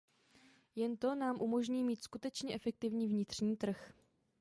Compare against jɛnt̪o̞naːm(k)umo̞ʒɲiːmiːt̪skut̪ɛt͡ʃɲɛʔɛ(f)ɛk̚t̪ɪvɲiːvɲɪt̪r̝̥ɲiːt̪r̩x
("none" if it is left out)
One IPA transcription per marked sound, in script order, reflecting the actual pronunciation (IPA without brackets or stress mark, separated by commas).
ʔ, f